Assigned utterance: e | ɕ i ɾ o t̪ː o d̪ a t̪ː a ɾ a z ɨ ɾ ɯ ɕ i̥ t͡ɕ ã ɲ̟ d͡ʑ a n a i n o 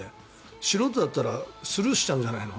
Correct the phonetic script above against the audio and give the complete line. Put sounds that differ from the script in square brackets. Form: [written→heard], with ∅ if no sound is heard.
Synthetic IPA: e | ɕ i ɾ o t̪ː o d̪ a t̪ː a ɾ a [z→s] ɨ ɾ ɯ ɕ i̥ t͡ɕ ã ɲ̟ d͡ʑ a n a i n o